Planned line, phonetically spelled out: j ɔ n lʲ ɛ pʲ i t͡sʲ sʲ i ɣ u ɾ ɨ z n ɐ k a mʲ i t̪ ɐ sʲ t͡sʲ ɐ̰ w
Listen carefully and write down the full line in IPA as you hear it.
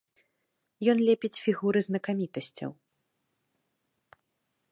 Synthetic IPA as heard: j ɔ n lʲ ɛ pʲ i t͡sʲ fʲ i ɣ u ɾ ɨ z n ɐ k a mʲ i t̪ ɐ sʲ t͡sʲ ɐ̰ w